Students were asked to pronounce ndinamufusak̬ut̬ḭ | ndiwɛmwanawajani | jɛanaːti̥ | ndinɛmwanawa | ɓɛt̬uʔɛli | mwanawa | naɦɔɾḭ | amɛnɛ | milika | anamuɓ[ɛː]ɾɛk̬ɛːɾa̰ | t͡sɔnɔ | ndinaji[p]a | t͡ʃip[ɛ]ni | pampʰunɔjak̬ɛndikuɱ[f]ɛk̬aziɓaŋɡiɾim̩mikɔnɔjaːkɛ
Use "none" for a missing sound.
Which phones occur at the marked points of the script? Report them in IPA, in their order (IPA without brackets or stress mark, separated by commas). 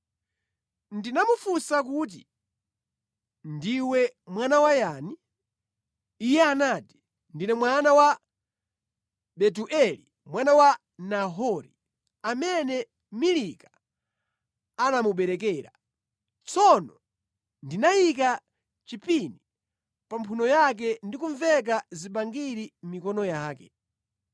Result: ɛ, k, i, v